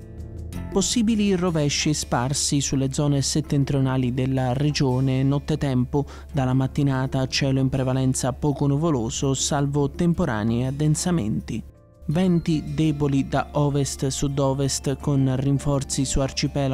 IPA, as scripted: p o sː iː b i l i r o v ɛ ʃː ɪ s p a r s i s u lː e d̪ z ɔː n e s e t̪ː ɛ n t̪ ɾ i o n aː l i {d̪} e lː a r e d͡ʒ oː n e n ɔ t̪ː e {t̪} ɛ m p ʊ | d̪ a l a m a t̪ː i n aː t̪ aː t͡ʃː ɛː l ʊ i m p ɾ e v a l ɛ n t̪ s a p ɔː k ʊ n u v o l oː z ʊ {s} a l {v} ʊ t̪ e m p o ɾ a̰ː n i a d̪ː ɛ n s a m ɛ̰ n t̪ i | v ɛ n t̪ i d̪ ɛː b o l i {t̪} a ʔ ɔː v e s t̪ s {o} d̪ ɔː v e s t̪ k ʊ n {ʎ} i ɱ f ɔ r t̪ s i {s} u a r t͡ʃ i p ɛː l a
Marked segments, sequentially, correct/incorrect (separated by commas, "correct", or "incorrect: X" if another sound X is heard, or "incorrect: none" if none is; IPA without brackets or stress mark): correct, correct, correct, correct, incorrect: d̪, incorrect: u, incorrect: r, correct